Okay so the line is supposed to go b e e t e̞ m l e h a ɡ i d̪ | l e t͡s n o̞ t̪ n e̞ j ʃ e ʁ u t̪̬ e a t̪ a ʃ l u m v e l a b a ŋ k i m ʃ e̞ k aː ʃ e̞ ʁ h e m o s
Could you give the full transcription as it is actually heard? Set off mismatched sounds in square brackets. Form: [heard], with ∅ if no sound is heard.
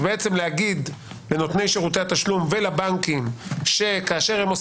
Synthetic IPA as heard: b e e [t͡s] e̞ m l e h a ɡ i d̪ | l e [∅] n o̞ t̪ n e̞ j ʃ e ʁ u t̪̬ e a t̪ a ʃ l u m v e l a b a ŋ k i m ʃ e̞ k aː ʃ e̞ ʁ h e m o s